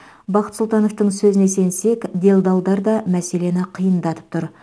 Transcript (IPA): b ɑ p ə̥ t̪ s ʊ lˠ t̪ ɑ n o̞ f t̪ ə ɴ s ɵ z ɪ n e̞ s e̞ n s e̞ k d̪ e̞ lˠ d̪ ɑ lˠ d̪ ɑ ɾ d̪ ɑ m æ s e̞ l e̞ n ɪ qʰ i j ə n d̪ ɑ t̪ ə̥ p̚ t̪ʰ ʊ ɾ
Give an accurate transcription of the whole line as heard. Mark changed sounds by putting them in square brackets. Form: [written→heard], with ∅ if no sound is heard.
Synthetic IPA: b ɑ [p→q] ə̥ t̪ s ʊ lˠ t̪ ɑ n o̞ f t̪ ə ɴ s ɵ z ɪ n e̞ s e̞ n s e̞ k d̪ e̞ lˠ d̪ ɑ lˠ d̪ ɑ ɾ d̪ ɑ m æ s e̞ l e̞ n ɪ qʰ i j ə n d̪ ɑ t̪ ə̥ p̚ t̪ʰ ʊ ɾ